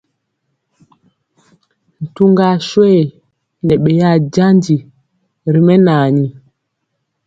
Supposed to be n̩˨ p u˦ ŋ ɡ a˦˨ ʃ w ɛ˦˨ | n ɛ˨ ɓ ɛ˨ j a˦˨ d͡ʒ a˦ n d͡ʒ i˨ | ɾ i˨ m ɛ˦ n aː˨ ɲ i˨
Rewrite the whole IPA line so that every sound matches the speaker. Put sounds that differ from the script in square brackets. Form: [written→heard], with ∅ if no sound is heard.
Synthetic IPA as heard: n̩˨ [p→t] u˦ ŋ ɡ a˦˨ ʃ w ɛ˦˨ | n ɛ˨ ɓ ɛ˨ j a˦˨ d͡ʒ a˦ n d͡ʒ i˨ | ɾ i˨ m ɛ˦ n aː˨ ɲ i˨